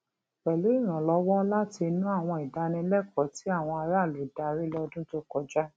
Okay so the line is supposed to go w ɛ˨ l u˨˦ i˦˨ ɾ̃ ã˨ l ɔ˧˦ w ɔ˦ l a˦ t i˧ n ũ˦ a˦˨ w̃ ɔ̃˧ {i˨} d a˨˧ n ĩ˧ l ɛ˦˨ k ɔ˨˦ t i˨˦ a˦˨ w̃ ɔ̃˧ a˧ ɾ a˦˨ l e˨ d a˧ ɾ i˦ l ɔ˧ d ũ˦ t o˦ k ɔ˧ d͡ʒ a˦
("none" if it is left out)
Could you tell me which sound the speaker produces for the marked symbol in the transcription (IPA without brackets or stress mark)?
i˨